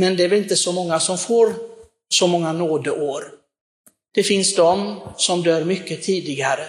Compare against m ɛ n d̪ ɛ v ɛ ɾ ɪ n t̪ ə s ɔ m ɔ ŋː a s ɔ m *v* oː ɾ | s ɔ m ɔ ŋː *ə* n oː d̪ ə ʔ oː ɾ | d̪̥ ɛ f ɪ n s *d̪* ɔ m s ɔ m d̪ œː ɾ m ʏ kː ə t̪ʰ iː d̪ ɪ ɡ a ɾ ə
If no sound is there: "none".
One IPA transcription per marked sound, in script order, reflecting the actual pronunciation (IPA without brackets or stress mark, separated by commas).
f, a, d̪